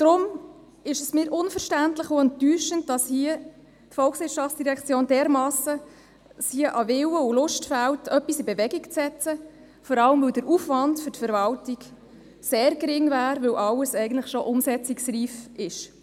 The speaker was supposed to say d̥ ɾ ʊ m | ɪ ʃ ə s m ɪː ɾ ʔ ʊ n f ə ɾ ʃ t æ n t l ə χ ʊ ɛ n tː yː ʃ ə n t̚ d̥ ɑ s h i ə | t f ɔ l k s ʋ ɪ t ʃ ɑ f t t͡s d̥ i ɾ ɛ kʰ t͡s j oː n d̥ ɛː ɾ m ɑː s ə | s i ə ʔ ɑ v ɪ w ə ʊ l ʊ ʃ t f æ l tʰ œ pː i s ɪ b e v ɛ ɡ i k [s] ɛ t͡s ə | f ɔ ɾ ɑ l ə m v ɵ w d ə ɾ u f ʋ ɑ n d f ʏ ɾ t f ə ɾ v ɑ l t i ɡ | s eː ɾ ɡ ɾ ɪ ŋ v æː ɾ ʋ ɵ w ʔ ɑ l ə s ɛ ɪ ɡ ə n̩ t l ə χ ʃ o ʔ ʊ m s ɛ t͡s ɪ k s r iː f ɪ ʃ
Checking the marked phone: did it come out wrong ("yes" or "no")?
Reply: yes